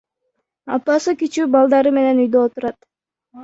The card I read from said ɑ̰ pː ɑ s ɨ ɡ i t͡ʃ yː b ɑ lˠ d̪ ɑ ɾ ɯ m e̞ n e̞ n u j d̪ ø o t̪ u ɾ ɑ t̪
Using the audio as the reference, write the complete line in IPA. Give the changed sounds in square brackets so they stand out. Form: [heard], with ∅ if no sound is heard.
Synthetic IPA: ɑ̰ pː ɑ s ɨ [k] i t͡ʃ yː b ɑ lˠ d̪ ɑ ɾ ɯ m e̞ n e̞ n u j d̪ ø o t̪ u ɾ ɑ t̪

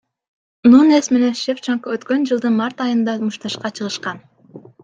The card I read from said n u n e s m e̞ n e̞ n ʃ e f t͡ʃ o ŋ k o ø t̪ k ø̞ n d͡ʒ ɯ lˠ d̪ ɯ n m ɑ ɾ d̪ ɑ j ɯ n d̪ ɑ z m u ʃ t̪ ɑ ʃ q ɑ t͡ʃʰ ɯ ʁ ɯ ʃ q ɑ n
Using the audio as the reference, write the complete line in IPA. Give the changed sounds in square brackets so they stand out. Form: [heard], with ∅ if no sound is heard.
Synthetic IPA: n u n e s m e̞ n e̞ n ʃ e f t͡ʃ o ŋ k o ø t̪ k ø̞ n d͡ʒ ɯ lˠ d̪ ɯ n m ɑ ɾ [t̪] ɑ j ɯ n d̪ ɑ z m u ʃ t̪ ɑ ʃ q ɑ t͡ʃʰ ɯ ʁ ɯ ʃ q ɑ n

